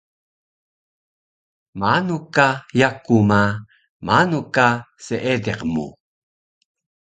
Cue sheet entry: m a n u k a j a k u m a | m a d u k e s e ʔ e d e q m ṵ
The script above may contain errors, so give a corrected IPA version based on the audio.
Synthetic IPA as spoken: m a n u k a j a k u m a | m a n u k a s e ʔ e d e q m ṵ

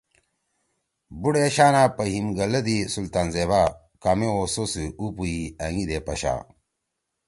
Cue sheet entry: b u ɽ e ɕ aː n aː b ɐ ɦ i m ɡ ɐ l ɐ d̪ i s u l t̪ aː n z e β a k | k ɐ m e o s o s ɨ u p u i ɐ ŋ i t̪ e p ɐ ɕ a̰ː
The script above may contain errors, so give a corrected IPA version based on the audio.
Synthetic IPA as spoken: b u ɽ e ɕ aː n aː p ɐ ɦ i m ɡ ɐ l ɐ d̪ i s u l t̪ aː n z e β a | k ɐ m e o s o s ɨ u p u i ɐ ŋ i d̪ e p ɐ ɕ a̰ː

